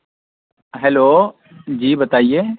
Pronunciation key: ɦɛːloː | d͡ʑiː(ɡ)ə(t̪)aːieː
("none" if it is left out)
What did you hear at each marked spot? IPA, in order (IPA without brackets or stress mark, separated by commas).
b, t̪